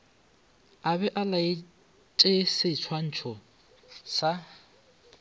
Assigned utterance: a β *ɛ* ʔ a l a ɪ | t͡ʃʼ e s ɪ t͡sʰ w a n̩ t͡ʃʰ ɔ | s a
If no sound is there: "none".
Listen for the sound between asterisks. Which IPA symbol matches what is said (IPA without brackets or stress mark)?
ɛ